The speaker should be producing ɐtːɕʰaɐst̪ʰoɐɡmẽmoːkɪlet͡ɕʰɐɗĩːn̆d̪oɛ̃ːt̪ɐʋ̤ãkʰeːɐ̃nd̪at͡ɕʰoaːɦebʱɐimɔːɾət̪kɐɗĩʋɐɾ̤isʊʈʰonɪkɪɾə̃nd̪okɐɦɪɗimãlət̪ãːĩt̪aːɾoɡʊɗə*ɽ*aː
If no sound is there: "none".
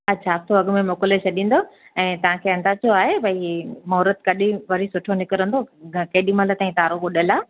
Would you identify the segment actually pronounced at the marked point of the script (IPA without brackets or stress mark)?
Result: l